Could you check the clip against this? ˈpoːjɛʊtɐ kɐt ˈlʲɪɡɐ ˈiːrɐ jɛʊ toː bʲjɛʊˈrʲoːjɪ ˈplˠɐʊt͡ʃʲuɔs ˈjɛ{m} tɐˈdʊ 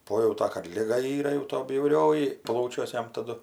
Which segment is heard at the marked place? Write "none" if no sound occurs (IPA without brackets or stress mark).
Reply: m